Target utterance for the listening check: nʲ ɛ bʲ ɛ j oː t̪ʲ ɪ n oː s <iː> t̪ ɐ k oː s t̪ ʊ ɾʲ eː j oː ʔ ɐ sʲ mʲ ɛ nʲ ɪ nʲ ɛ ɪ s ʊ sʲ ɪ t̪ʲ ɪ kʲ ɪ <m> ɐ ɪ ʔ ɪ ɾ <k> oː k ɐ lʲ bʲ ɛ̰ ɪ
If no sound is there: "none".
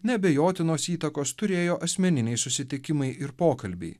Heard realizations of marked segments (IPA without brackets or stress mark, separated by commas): iː, m, p